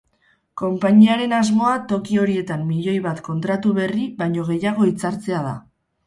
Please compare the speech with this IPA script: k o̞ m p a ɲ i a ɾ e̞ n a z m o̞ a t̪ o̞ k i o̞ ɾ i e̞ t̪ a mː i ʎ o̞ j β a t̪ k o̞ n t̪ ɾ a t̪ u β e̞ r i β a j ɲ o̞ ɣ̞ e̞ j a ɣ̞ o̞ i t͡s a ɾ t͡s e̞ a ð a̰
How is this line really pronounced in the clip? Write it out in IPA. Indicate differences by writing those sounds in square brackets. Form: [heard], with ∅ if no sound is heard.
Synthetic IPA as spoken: k o̞ m p a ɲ i a ɾ e̞ n a z m o̞ a t̪ o̞ k i o̞ ɾ i e̞ t̪ a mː i ʎ o̞ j β a t̪ k o̞ n t̪ ɾ a t̪ u β e̞ r i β a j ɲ o̞ ɣ̞ e̞ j a ɣ̞ o̞ i t͡s a ɾ t͡s e̞ a ð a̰